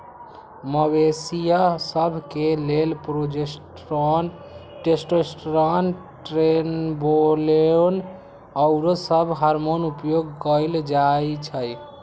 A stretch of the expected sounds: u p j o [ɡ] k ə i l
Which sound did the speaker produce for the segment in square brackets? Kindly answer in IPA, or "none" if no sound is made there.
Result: ɡ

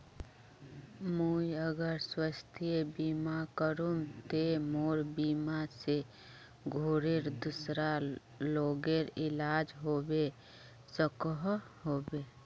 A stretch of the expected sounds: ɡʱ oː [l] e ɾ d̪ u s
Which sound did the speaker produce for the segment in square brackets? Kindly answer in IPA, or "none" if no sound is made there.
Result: ɾ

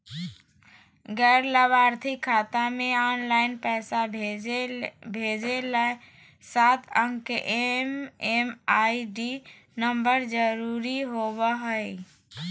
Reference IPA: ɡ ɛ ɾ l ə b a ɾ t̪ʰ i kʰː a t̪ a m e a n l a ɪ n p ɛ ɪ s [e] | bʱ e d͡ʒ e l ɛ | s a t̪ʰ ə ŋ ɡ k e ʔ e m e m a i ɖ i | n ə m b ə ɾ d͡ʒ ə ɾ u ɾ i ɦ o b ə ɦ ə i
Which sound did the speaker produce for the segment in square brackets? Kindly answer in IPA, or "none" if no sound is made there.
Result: a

